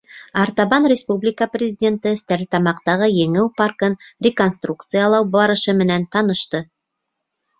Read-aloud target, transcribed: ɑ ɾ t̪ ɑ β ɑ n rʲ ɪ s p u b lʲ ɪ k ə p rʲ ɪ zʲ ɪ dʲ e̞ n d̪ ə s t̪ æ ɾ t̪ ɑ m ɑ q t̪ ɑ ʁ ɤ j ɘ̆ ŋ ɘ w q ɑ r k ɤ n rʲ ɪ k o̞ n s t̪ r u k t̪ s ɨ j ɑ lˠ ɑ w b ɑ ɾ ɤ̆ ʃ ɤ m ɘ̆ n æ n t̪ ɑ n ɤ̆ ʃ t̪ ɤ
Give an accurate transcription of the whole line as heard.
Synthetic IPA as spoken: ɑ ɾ t̪ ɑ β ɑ n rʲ ɪ s p u b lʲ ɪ k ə p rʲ ɪ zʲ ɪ dʲ e̞ n t̪ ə s t̪ æ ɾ t̪ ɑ m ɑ q t̪ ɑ ʁ ɤ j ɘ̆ ŋ ɘ w p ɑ r k ɤ n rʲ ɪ k o̞ n s t̪ r u k t̪ s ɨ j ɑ lˠ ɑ w b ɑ ɾ ɤ̆ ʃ ɤ m ɘ̆ n æ n t̪ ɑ n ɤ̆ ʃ t̪ ɤ